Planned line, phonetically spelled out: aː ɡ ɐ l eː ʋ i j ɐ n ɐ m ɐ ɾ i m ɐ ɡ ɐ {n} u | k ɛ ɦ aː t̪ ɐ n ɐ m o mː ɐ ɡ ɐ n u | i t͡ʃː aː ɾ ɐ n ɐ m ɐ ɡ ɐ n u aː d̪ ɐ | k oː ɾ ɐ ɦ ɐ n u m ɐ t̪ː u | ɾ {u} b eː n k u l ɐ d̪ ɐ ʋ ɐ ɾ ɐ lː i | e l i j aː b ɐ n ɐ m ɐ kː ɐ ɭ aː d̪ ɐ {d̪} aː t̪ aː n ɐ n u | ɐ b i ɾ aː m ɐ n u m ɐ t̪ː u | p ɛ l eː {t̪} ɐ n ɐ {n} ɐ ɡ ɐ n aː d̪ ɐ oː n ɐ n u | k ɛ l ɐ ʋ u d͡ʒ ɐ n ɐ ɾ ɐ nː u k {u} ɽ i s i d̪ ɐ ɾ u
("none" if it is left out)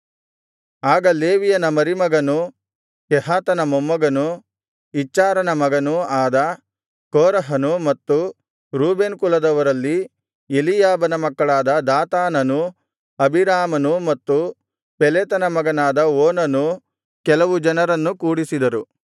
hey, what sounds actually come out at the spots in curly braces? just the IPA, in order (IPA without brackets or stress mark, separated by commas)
n, uː, d̪, t̪, m, uː